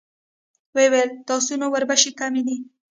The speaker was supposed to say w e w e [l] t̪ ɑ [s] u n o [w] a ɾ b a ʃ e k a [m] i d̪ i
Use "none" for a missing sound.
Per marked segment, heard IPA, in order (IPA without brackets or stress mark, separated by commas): l, s, w, m